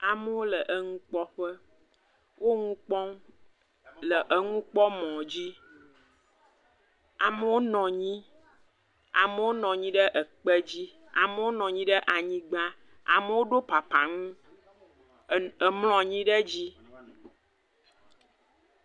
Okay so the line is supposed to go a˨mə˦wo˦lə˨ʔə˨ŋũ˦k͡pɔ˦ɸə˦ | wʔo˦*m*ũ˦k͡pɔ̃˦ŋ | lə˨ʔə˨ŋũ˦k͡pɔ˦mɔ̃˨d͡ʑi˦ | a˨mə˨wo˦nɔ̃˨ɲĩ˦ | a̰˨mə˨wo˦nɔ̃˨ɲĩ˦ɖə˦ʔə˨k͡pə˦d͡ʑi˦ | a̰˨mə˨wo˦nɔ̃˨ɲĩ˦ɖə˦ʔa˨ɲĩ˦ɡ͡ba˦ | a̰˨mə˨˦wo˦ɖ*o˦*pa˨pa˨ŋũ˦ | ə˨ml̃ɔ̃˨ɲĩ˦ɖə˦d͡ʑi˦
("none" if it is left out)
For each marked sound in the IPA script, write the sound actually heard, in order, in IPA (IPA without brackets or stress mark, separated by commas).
ŋ, o˦